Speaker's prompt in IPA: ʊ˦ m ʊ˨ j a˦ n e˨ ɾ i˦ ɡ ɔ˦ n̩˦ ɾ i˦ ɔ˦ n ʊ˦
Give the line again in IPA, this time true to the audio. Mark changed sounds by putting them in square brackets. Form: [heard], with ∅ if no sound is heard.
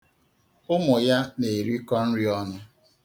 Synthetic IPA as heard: ʊ˦ m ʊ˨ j a˦ n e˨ ɾ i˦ [k] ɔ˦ n̩˦ ɾ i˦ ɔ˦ n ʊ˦